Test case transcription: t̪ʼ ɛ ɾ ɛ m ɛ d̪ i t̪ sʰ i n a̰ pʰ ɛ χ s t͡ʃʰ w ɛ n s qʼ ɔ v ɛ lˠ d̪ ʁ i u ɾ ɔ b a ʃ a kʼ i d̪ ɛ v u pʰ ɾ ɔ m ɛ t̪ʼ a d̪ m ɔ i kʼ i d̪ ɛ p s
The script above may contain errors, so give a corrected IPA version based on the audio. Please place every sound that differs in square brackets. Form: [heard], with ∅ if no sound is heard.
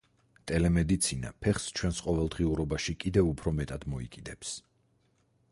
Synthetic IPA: t̪ʼ ɛ [l] ɛ m ɛ d̪ i t̪ sʰ i n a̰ pʰ ɛ χ s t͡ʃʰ w ɛ n s qʼ ɔ v ɛ lˠ d̪ ʁ i u ɾ ɔ b a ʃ [i] kʼ i d̪ ɛ v u pʰ ɾ ɔ m ɛ t̪ʼ a d̪ m ɔ i kʼ i d̪ ɛ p s